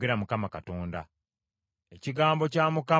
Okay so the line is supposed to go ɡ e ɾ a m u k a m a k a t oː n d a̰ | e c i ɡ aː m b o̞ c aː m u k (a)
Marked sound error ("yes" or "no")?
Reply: no